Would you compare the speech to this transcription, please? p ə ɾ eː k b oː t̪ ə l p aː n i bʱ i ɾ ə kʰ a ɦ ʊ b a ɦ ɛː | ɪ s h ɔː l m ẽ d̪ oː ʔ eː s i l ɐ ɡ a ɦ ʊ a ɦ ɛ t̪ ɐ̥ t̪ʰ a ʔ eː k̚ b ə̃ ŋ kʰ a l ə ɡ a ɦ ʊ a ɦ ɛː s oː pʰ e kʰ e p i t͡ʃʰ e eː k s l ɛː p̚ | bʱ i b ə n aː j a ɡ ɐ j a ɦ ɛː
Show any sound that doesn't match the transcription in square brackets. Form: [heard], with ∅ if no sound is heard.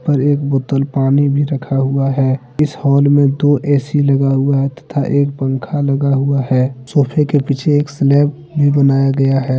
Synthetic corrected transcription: p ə ɾ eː k b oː t̪ ə l p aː n i bʱ i ɾ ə kʰ a ɦ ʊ [∅] a ɦ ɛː | ɪ s h ɔː l m ẽ d̪ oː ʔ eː s i l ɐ ɡ a ɦ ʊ a ɦ ɛ t̪ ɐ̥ t̪ʰ a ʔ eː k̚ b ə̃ ŋ kʰ a l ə ɡ a ɦ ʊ a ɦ ɛː s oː pʰ e [k] e p i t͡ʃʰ e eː k s l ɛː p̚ | bʱ i b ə n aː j a ɡ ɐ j a ɦ ɛː